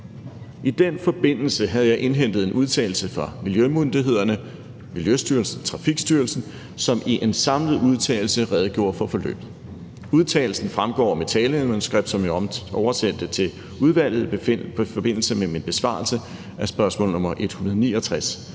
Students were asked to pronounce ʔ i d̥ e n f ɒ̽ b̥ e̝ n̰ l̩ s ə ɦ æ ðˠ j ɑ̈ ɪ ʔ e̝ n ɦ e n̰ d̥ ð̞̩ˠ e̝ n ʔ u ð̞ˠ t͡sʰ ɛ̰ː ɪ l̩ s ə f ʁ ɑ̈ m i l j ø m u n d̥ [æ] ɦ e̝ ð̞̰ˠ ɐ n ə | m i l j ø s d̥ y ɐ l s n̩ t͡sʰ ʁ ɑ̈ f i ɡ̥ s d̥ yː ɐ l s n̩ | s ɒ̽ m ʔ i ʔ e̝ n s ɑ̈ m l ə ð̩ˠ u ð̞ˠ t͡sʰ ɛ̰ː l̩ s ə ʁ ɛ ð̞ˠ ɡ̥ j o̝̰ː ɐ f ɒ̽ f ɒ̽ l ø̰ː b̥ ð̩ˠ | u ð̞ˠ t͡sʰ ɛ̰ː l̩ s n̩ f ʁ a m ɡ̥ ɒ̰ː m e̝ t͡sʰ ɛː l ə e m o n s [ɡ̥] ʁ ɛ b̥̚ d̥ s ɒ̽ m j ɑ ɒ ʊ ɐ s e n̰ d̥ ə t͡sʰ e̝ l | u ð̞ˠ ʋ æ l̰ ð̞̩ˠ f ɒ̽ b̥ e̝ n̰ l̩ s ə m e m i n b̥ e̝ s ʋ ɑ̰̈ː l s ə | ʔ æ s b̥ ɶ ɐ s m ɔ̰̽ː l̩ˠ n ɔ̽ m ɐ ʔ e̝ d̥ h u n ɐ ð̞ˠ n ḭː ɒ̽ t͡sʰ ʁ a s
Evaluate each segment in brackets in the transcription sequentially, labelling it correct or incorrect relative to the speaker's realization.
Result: incorrect, correct

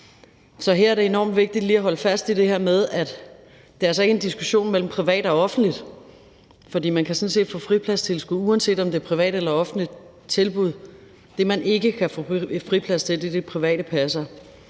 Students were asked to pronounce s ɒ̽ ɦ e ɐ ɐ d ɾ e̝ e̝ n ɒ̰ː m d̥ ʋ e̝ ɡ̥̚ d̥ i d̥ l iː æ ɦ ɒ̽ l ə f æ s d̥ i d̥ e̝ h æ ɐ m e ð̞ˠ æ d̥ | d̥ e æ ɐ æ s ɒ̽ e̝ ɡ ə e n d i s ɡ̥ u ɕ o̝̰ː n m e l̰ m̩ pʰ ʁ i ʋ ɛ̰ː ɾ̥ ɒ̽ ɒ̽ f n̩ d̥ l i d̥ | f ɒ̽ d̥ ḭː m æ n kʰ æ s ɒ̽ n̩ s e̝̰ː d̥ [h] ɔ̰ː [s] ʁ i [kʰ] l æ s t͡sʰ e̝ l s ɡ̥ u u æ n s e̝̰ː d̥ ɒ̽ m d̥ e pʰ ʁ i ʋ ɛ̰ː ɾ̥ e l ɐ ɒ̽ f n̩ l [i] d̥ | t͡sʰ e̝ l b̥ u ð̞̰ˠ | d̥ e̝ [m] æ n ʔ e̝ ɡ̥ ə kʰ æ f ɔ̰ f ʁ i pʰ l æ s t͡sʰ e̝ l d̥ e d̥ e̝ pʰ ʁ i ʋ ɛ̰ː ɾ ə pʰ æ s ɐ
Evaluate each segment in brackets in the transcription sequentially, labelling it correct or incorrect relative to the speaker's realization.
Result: incorrect, incorrect, incorrect, correct, correct

